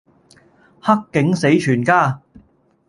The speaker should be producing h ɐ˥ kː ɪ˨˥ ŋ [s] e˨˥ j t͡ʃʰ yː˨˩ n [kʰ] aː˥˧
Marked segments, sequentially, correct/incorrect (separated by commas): correct, incorrect